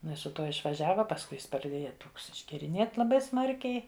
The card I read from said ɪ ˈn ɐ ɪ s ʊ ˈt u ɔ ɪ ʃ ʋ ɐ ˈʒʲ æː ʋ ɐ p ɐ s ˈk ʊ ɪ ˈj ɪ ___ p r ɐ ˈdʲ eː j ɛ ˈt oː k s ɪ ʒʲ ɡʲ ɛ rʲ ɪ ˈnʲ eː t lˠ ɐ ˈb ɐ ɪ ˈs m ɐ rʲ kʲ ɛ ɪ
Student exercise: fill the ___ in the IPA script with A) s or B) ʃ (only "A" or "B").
A